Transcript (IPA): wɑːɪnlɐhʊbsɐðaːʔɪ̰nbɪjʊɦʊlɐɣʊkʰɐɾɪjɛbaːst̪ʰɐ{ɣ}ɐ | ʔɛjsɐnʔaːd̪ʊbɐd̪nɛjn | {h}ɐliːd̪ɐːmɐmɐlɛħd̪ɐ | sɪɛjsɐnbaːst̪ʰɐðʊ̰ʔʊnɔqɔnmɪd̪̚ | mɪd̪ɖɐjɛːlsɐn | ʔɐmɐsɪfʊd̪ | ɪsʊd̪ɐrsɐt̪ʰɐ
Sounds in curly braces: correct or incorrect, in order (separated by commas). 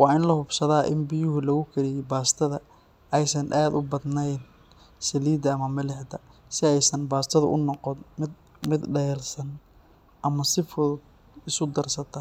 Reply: incorrect, incorrect